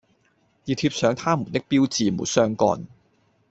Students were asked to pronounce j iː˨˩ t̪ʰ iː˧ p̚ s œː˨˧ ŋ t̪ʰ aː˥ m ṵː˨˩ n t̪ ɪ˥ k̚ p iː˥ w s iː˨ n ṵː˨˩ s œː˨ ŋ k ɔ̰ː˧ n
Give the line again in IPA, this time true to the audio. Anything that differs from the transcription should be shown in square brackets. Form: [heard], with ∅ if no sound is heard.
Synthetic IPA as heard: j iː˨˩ t̪ʰ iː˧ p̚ s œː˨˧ ŋ t̪ʰ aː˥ m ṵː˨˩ n t̪ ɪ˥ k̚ p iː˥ w [t͡s] iː˨ [m] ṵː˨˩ s [œː˥] ŋ k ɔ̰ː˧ n